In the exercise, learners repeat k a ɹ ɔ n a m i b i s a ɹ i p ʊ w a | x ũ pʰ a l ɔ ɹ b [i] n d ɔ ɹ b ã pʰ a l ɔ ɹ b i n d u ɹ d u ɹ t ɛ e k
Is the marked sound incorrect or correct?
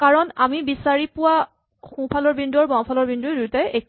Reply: correct